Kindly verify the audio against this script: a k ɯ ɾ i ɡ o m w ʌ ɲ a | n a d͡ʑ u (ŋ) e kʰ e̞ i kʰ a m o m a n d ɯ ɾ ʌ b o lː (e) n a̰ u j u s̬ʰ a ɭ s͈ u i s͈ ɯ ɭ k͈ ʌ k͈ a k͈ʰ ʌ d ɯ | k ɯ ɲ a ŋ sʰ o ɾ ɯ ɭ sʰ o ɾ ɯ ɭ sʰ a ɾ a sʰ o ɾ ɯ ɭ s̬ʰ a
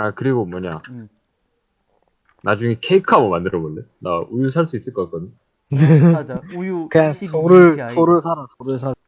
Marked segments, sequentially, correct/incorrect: correct, correct

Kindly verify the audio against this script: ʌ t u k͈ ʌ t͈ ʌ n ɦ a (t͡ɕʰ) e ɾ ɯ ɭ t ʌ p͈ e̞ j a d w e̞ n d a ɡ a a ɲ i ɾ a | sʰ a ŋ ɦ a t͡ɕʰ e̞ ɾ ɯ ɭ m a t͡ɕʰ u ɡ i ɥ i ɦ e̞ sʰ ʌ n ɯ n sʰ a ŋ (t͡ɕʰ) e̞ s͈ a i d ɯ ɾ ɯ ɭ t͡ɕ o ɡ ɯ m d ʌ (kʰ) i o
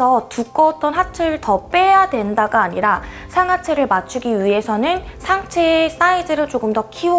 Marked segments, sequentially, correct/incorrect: correct, correct, correct

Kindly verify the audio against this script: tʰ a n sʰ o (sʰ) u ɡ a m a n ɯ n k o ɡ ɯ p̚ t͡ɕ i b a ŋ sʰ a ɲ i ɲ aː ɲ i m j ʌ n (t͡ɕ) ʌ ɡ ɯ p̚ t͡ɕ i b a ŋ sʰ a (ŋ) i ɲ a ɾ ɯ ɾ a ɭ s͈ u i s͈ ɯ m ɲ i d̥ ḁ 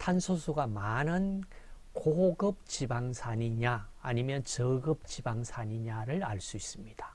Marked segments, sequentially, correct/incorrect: correct, correct, incorrect

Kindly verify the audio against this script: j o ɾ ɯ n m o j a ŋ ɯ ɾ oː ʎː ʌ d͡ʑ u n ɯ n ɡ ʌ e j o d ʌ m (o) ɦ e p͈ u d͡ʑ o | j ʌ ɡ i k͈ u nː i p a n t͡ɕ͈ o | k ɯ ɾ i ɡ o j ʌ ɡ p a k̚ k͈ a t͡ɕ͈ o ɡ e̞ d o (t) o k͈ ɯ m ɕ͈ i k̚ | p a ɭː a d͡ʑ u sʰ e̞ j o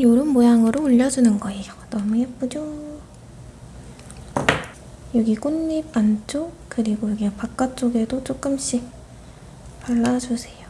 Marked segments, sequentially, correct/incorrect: incorrect, incorrect

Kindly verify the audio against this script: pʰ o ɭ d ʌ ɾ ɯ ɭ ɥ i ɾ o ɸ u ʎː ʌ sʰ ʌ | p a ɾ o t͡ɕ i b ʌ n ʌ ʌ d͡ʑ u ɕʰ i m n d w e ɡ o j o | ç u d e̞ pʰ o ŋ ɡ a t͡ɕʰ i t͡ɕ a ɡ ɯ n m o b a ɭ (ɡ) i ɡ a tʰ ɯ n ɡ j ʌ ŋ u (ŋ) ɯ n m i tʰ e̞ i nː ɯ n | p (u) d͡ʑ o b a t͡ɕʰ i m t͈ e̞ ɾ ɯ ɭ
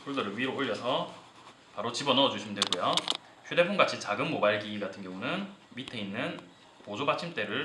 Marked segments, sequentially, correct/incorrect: correct, incorrect, incorrect

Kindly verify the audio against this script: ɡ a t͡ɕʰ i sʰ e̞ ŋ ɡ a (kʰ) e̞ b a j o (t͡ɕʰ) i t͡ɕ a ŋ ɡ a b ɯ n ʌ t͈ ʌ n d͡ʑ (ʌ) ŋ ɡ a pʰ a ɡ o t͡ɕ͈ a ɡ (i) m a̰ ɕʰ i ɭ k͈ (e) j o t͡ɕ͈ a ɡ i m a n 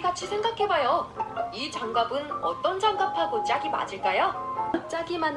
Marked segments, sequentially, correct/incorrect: correct, incorrect, incorrect, correct, incorrect

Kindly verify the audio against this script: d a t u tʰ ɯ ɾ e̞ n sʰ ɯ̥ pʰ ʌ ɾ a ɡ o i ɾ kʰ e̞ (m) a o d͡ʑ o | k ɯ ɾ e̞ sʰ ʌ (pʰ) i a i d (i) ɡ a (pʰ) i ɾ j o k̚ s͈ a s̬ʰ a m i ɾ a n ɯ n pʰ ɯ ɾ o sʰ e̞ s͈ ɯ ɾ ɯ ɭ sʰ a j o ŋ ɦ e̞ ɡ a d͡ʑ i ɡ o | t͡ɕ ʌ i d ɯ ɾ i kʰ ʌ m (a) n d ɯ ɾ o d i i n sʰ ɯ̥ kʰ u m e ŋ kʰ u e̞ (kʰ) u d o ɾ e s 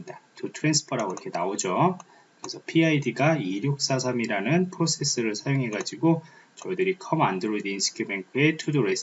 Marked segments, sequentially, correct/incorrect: incorrect, correct, correct, incorrect, correct, incorrect

